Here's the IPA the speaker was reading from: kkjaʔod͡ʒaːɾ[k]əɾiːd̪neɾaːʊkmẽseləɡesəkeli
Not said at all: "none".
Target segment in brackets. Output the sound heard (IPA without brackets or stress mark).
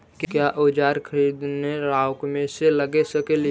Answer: kʰ